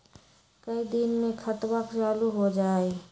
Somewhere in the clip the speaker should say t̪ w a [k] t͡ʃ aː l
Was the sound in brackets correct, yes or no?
yes